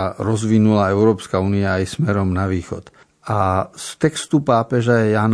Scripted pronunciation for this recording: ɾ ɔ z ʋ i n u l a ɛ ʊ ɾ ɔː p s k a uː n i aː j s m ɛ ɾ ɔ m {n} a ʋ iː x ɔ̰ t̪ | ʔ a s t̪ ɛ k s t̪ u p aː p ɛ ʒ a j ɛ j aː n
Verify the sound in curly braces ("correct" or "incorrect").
correct